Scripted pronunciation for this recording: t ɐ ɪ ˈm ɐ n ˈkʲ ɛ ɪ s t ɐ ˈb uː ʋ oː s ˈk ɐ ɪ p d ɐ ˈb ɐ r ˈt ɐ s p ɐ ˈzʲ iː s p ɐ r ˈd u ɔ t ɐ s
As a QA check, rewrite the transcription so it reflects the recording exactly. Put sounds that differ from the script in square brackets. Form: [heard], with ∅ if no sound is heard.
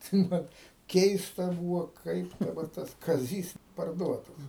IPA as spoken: t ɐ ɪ ˈm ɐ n ˈkʲ ɛ ɪ s t ɐ ˈb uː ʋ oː [∅] ˈk ɐ ɪ p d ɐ ˈb ɐ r ˈt ɐ s [k] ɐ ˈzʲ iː s p ɐ r ˈd u ɔ t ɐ s